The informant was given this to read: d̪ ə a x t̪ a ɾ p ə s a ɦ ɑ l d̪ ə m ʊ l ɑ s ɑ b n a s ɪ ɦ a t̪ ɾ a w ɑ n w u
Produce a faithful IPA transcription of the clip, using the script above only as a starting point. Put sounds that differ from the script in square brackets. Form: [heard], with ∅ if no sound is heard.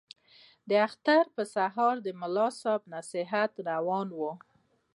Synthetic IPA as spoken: d̪ ə a x t̪ a ɾ p ə s a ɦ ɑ [ɾ] d̪ ə m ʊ l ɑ s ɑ b n a s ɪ ɦ a t̪ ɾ a w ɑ n w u

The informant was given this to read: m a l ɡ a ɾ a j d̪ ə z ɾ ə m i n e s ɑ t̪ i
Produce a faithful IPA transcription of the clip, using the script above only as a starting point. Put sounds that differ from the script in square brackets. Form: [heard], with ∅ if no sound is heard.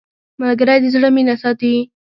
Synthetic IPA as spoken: m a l ɡ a ɾ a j d̪ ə z [ɽ] ə m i n [a] s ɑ t̪ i

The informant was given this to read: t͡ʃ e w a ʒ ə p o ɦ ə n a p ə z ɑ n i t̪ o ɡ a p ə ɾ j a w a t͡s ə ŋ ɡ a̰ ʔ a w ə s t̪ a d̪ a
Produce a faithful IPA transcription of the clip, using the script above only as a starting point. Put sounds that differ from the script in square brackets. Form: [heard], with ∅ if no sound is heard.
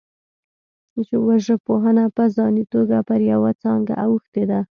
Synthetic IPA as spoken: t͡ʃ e w a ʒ ə p o ɦ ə n a p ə z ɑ n i t̪ o ɡ a p ə ɾ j a w a t͡s [ɑ] ŋ ɡ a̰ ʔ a w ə [x] t̪ [e] d̪ a

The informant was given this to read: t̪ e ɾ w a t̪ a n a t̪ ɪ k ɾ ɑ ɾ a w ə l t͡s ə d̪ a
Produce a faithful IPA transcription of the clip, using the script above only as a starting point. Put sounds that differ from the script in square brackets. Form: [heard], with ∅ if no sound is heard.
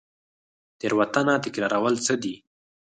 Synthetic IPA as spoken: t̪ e ɾ w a t̪ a n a t̪ ɪ k ɾ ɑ ɾ a w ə l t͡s ə d̪ [i]

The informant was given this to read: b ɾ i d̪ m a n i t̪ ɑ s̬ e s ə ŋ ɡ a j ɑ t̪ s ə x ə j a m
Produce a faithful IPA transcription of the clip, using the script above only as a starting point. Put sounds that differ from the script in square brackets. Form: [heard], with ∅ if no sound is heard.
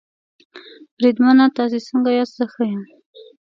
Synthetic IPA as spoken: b ɾ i d̪ m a n [a] t̪ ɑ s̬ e s ə ŋ ɡ a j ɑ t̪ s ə x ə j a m

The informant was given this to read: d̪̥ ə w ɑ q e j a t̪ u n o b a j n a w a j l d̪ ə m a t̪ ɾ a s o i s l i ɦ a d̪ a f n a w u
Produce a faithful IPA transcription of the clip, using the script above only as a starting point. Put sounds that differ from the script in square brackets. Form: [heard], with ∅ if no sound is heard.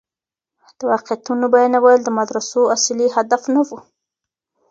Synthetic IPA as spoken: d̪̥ ə w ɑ q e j a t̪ u n o b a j n a w a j l d̪ ə m a [d̪] ɾ a s o [a] s l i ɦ a d̪ a f n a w u

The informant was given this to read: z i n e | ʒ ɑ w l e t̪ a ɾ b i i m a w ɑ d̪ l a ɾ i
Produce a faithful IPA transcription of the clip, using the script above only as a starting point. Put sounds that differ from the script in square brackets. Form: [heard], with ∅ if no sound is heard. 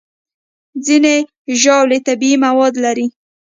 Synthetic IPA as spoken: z i n e | ʒ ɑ w l e t̪ a [∅] b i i m a w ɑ d̪ l a ɾ i

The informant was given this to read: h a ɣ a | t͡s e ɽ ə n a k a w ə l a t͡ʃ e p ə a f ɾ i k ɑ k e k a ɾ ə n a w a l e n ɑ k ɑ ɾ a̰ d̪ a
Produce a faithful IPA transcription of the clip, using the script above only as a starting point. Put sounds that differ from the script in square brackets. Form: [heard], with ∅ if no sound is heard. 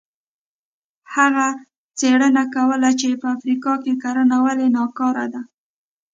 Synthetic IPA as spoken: h a ɣ a | t͡s e ɽ ə n a k a w ə l a t͡ʃ e p ə a f ɾ i k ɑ k e k a ɾ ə n a w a l e n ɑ k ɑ ɾ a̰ d̪ a

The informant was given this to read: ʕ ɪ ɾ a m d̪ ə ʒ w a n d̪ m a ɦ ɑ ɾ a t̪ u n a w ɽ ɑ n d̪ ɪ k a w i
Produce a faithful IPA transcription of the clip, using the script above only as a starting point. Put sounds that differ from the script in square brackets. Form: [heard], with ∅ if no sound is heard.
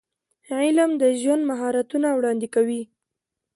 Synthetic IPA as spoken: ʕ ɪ [l] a m d̪ ə ʒ w a n d̪ m a ɦ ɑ ɾ a t̪ u n a w ɽ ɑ n d̪ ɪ k a w i

